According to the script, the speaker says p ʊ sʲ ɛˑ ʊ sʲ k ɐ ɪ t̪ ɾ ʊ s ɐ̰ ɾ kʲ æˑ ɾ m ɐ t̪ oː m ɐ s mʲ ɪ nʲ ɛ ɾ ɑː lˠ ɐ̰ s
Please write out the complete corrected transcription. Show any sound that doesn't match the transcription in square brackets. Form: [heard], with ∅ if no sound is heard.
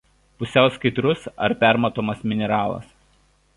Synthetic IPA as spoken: p ʊ sʲ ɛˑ ʊ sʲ k ɐ ɪ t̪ ɾ ʊ s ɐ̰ ɾ [pʲ] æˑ ɾ m ɐ t̪ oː m ɐ s mʲ ɪ nʲ ɛ ɾ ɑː lˠ ɐ̰ s

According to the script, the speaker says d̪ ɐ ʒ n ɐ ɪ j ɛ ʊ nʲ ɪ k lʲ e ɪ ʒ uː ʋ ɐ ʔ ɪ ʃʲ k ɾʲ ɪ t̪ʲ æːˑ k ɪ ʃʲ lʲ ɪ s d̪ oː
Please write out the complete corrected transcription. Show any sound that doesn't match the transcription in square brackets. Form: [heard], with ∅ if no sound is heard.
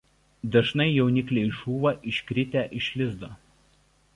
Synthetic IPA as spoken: d̪ ɐ ʒ n ɐ ɪ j ɛ ʊ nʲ ɪ k lʲ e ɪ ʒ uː ʋ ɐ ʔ ɪ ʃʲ k ɾʲ ɪ t̪ʲ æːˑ [ʔ] ɪ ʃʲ lʲ ɪ [z] d̪ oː

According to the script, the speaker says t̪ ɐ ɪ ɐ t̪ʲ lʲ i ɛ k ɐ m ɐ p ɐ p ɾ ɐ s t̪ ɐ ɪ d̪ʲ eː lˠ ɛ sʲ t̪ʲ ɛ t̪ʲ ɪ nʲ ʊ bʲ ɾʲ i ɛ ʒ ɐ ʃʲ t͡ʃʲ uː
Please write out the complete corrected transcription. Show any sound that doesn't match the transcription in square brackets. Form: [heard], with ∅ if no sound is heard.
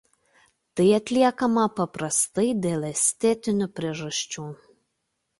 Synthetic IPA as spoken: t̪ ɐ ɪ ɐ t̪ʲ lʲ i ɛ k ɐ m ɐ p ɐ p ɾ ɐ s t̪ ɐ ɪ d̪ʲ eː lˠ ɛ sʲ t̪ʲ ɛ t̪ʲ ɪ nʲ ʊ [pʲ] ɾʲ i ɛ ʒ ɐ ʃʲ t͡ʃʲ uː

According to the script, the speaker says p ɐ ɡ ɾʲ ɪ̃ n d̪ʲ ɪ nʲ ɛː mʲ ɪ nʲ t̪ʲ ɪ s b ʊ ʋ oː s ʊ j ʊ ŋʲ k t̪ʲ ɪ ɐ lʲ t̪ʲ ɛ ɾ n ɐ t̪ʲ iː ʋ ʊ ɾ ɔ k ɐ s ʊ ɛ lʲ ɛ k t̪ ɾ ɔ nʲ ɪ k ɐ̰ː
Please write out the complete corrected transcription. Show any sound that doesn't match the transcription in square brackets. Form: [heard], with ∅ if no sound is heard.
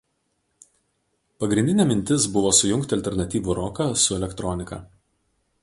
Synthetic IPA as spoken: p ɐ ɡ ɾʲ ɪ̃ n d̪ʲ ɪ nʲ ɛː mʲ ɪ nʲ t̪ʲ ɪ s b ʊ ʋ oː s ʊ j ʊ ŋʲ k t̪ʲ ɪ ɐ lʲ t̪ʲ ɛ ɾ n ɐ t̪ʲ iː ʋ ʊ ɾ ɔ k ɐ s ʊ ɛ lʲ ɛ k t̪ ɾ ɔ nʲ ɪ k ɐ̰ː

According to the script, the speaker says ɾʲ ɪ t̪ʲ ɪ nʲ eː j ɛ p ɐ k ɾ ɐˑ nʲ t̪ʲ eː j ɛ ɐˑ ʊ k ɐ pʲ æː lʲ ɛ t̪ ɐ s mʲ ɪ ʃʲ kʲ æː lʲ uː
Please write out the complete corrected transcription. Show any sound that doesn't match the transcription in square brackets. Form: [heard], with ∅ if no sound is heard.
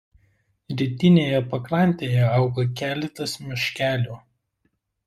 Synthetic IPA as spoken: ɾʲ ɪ t̪ʲ ɪ nʲ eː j ɛ p ɐ k ɾ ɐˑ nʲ t̪ʲ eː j ɛ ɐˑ ʊ [ɡ] ɐ [kʲ] æː lʲ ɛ t̪ ɐ s mʲ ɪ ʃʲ kʲ æː lʲ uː

